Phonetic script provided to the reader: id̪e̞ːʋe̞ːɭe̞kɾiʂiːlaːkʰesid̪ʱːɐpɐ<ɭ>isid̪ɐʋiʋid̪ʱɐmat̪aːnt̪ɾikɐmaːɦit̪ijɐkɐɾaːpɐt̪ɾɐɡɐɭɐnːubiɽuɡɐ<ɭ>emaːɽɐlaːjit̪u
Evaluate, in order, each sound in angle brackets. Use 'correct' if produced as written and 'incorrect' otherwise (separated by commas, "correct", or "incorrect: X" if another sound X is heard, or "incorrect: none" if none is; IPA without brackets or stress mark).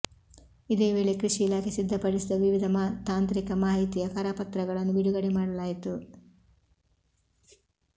incorrect: ɽ, incorrect: ɽ